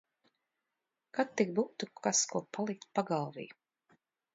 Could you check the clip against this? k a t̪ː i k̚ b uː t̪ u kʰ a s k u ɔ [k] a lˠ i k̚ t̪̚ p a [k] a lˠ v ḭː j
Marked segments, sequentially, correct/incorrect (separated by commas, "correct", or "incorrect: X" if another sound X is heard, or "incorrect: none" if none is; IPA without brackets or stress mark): incorrect: p, incorrect: ɡ